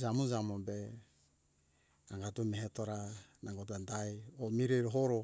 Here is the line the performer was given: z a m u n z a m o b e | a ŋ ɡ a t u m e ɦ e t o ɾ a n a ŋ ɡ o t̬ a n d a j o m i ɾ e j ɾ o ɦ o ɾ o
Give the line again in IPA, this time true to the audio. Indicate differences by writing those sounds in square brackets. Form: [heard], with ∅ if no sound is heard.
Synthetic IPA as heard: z a m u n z a m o b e | a ŋ ɡ a t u m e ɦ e t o ɾ a n a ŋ ɡ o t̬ a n d a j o m i ɾ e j ɾ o ɦ o ɾ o